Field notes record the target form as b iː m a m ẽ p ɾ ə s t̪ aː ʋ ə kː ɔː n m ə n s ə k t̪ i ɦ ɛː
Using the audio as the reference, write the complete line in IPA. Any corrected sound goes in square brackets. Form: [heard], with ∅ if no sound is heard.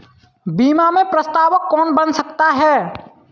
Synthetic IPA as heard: b iː m a m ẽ p ɾ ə s t̪ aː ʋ ə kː ɔː n [b] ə n s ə k t̪ [a] ɦ ɛː